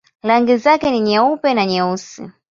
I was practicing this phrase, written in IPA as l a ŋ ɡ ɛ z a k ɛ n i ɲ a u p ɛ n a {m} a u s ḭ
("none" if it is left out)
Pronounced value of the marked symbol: ɲ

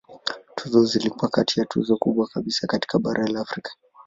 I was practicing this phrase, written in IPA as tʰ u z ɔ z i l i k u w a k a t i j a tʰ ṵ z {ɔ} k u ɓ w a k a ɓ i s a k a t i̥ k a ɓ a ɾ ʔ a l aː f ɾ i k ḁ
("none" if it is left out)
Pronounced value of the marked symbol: ɔ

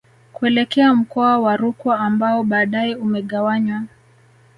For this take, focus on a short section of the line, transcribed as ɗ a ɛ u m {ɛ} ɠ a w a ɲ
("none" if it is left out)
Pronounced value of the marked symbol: ɛ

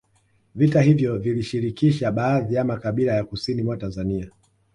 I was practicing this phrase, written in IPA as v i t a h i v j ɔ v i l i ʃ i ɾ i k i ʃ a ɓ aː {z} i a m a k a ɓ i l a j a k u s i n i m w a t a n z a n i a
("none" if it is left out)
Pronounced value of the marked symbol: ð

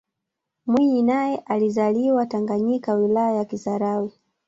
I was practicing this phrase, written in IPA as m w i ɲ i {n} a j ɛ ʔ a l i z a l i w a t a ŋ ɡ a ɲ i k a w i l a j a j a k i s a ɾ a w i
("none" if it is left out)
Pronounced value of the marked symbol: n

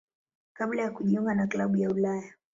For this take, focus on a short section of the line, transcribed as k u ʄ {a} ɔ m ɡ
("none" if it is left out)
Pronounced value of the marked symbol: i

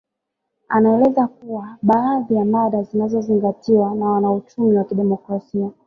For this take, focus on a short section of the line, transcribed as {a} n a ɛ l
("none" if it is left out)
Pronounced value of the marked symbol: a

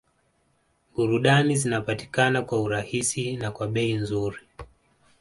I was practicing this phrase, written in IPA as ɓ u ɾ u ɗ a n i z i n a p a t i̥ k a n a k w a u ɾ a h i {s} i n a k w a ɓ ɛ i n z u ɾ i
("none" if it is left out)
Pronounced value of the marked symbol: s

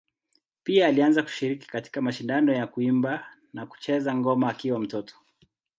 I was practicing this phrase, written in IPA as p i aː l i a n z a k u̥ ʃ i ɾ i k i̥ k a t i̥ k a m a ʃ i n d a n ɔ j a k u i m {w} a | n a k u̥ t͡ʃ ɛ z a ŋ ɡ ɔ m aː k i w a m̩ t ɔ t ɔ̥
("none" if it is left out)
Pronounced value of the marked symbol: b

